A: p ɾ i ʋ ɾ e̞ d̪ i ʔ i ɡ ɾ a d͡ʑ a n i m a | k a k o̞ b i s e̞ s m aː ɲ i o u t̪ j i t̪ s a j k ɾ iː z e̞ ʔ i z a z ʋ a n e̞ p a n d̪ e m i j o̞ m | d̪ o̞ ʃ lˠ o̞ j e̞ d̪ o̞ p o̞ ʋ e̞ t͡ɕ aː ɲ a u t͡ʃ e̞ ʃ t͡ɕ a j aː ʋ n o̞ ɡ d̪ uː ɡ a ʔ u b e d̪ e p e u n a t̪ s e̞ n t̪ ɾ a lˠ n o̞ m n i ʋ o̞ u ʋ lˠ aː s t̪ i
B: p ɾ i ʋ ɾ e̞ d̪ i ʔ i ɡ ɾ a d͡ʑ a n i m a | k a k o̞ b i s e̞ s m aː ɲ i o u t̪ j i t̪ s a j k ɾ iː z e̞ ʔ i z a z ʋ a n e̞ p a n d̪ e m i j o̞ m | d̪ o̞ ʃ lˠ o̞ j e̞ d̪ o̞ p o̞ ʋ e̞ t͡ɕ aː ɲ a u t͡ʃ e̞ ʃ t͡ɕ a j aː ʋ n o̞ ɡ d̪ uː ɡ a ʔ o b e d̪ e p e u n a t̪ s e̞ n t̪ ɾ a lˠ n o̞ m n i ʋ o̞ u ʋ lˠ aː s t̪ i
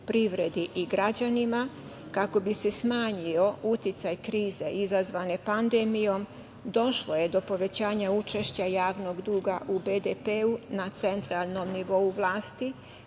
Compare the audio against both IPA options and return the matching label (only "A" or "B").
A